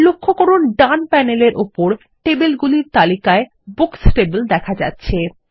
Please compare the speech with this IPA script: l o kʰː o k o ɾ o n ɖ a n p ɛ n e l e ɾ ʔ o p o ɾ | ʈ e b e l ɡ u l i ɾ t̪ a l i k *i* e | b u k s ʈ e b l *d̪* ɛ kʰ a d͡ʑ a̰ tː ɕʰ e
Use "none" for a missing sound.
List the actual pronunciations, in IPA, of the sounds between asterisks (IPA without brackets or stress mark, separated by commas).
a, d̪